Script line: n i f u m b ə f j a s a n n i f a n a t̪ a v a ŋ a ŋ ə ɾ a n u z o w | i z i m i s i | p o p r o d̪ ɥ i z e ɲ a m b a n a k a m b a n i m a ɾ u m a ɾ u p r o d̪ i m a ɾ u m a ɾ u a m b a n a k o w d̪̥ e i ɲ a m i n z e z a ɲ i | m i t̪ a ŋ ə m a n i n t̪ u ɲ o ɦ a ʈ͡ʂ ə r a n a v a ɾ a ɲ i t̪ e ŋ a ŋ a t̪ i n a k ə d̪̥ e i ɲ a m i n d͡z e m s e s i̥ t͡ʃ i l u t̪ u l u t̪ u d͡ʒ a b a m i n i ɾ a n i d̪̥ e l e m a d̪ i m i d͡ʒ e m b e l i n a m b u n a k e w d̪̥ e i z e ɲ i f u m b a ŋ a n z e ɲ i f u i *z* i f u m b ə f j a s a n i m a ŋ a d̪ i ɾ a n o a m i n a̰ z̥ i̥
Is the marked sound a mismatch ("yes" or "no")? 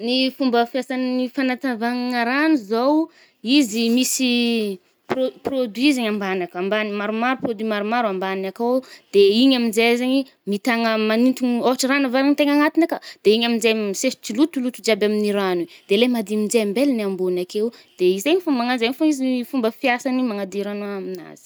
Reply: no